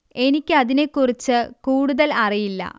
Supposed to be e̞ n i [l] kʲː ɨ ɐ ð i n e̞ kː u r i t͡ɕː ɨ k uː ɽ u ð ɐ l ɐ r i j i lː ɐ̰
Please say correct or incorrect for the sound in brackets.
incorrect